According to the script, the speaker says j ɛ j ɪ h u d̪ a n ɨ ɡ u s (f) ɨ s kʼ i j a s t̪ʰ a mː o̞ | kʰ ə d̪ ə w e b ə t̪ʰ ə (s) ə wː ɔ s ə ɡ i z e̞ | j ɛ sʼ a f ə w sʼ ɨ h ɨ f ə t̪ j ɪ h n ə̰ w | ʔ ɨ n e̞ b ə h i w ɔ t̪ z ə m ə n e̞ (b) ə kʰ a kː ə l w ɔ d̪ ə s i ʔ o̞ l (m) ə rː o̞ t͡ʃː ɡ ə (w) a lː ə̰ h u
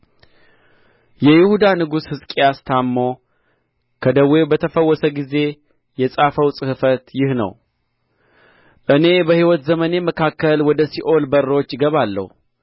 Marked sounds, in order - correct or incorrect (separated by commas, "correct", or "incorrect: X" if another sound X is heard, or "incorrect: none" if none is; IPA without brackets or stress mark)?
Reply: incorrect: h, incorrect: f, incorrect: m, incorrect: b, incorrect: β